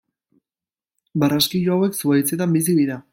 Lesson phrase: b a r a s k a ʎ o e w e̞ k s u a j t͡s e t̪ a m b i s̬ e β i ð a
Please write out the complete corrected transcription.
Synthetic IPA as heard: b a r a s k i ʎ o a w e̞ k s u a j t͡s e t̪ a m b i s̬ i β i ð a

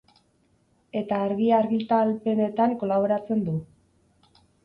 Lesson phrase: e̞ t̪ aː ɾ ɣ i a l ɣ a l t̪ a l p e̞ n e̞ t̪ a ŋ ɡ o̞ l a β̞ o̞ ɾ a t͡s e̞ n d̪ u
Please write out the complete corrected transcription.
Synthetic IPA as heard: e̞ t̪ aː ɾ ɣ i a ɾ ɣ i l t̪ a l p e̞ n e̞ t̪ a ŋ k o̞ l a β̞ o̞ ɾ a t͡s e̞ n d̪ u

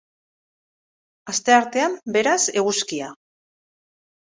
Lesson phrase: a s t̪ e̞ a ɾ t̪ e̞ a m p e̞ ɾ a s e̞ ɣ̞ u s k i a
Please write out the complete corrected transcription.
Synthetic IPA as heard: a s t̪ e̞ a ɾ t̪ e̞ a m b e̞ ɾ a s e̞ ɣ̞ u s k i a

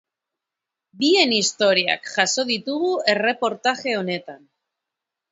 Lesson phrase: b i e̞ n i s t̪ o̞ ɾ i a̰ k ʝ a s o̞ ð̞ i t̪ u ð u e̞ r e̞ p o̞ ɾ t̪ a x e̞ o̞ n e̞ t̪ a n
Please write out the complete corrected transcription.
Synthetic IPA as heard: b i e̞ n i s t̪ o̞ ɾ i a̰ k ʝ a s o̞ ð̞ i t̪ u ɣ u e̞ r e̞ p o̞ ɾ t̪ a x e̞ o̞ n e̞ t̪ a n

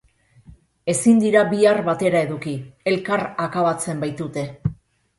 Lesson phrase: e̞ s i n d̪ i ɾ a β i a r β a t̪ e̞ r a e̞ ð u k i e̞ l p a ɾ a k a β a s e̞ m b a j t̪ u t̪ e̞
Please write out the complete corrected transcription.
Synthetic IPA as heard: e̞ s i n d̪ i ɾ a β i a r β a t̪ e̞ ɾ a e̞ ð u k i e̞ l k a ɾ a k a β a t͡s e̞ m b a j t̪ u t̪ e̞

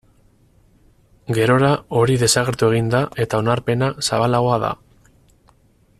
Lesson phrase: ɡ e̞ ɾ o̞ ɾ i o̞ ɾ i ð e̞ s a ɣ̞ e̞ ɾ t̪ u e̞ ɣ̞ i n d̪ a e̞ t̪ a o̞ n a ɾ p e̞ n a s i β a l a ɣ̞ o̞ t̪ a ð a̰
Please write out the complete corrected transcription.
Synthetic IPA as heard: ɡ e̞ ɾ o̞ ɾ a o̞ ɾ i ð e̞ s a ɣ̞ e̞ ɾ t̪ u e̞ ɣ̞ i n d̪ a e̞ t̪ a o̞ n a ɾ p e̞ n a s a β a l a ɣ̞ o̞ a ð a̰

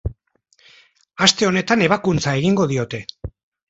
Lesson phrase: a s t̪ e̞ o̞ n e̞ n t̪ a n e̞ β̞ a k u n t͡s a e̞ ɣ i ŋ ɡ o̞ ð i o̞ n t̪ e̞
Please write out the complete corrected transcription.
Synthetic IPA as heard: a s t̪ e̞ o̞ n e̞ t̪ a n e̞ β̞ a k u n t͡s a e̞ ɣ i ŋ ɡ o̞ ð i o̞ t̪ e̞

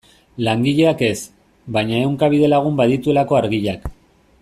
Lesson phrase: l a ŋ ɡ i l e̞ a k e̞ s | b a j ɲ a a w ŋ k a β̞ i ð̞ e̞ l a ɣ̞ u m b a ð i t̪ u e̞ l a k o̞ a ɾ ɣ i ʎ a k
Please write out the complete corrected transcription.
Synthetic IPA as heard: l a ŋ ɡ i ʎ e̞ a k e̞ s | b a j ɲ a e w ŋ k a β̞ i ð̞ e̞ l a ɣ̞ u m b a ð i t̪ u e̞ l a k o̞ a ɾ ɣ i ʎ a k

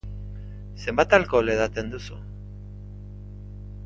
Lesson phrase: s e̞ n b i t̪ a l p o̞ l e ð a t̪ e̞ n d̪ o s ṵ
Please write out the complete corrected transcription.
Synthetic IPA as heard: s e̞ m b a t̪ a l k o̞ l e ð a t̪ e̞ n d̪ u s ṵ

